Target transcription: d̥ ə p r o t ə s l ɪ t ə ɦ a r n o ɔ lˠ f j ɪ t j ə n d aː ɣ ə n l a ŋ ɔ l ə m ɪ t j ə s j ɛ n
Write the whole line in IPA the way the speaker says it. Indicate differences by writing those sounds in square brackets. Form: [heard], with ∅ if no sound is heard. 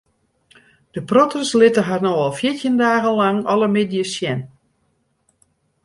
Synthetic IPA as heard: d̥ ə p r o t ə s l ɪ t ə ɦ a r n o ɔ lˠ f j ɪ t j ə n d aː ɣ ə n l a ŋ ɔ l ə m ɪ [d] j ə s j ɛ n